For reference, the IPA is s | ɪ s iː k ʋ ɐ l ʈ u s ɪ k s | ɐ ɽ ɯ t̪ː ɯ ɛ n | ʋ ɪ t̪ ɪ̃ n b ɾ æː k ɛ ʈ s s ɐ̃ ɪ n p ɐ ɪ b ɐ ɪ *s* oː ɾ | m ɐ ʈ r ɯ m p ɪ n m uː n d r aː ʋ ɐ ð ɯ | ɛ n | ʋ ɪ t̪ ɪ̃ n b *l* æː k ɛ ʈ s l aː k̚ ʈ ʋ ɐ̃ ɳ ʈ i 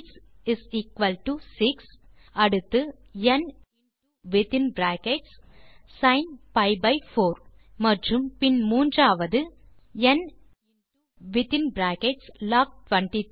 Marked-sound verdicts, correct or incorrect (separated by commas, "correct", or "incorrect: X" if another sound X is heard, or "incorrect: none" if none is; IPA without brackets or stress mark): incorrect: f, incorrect: ɾ